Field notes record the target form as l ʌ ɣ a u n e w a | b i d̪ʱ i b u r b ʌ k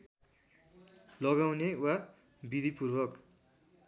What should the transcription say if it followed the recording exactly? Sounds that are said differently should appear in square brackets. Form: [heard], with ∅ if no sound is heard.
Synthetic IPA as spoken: l ʌ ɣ a [w] n e w a | b i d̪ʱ i [p] u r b ʌ k